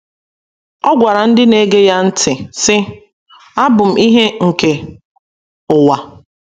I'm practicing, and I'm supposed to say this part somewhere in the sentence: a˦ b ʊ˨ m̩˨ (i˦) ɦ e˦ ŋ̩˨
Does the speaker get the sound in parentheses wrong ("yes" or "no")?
no